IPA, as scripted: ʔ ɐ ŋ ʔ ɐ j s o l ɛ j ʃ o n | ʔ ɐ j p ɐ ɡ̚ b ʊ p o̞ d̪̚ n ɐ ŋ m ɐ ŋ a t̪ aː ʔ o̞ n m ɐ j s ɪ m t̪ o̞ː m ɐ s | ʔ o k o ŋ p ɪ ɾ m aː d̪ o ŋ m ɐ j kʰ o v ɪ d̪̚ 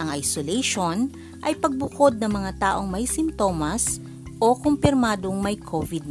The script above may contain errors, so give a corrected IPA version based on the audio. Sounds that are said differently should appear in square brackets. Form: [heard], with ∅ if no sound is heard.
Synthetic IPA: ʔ ɐ ŋ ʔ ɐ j s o l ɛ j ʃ o n | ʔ ɐ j p ɐ ɡ̚ b ʊ [k] o̞ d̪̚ n ɐ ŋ m ɐ ŋ a t̪ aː ʔ o̞ [ŋ] m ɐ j s ɪ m t̪ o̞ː m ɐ s | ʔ o k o [m] p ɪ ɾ m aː d̪ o ŋ m ɐ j kʰ o v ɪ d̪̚